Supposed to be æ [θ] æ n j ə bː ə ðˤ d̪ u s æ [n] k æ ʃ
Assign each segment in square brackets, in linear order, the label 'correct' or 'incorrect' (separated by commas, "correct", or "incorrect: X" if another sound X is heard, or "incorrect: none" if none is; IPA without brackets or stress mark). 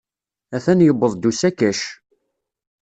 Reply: correct, incorrect: none